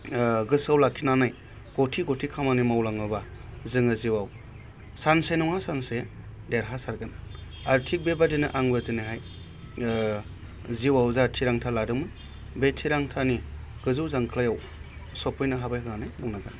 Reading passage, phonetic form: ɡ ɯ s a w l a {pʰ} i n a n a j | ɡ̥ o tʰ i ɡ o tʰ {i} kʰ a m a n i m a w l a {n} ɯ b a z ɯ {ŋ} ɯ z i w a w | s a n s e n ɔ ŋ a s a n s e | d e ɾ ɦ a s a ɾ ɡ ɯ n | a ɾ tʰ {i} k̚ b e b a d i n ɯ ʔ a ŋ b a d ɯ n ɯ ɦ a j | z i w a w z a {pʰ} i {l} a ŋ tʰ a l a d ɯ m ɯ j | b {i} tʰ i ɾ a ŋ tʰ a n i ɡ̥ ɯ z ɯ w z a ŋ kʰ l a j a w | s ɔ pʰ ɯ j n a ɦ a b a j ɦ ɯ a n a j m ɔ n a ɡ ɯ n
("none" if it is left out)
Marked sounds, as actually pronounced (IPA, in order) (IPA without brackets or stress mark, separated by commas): kʰ, i, ŋ, ŋ, i, tʰ, ɾ, e